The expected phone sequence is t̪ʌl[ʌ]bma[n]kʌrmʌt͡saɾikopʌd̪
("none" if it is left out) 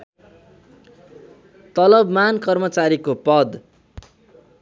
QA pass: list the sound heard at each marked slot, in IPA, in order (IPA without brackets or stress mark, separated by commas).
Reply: ʌ, n